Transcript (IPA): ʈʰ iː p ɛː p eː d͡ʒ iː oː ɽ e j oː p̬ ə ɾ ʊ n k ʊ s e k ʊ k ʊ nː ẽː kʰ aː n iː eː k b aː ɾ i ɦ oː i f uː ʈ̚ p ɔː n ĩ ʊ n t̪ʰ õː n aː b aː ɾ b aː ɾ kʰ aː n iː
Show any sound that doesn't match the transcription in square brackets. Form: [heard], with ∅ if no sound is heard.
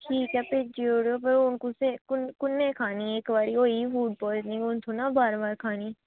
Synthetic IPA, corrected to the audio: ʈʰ iː [k] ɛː p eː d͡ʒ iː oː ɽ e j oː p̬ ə ɾ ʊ n k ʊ s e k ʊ k ʊ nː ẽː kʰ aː n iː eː k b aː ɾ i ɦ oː i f uː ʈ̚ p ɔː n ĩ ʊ n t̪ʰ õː n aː b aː ɾ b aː ɾ kʰ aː n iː